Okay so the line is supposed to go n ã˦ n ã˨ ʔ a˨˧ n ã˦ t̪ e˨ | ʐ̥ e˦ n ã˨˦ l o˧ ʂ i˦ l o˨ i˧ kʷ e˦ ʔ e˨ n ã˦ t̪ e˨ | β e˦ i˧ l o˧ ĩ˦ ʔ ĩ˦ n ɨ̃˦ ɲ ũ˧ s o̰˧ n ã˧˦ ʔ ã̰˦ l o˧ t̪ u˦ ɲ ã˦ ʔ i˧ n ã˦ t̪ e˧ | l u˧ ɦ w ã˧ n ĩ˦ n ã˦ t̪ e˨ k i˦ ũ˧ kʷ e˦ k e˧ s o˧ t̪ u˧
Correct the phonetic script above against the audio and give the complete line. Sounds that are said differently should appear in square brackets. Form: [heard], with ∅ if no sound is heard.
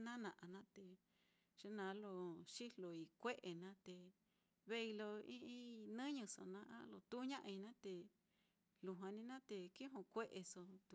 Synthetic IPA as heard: n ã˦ n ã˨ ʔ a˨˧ n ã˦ t̪ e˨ | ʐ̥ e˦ n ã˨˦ l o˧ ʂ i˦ l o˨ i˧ kʷ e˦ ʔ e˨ n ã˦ t̪ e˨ | β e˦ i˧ l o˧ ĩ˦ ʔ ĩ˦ n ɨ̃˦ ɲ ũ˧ s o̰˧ n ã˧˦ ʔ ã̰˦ l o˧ t̪ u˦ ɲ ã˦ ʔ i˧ n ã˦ t̪ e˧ | l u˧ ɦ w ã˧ n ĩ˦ n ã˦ t̪ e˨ k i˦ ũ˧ kʷ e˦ [ʔ] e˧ s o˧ t̪ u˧